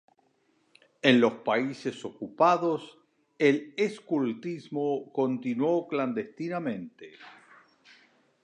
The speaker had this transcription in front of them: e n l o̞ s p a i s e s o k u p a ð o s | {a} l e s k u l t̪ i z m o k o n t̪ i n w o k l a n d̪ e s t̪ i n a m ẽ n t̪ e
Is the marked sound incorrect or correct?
incorrect